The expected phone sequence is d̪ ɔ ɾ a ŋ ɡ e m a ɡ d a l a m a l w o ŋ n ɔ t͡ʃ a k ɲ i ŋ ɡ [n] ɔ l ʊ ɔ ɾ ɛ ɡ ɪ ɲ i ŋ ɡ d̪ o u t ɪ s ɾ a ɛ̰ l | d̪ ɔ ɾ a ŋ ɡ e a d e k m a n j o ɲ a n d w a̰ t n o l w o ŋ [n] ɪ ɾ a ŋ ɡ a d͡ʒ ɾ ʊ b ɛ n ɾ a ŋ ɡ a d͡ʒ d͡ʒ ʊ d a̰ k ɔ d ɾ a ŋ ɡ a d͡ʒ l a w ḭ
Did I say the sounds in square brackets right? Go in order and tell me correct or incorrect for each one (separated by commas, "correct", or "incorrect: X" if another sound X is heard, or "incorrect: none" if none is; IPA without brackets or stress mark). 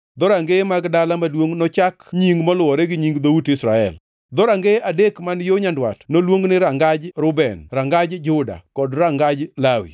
incorrect: m, correct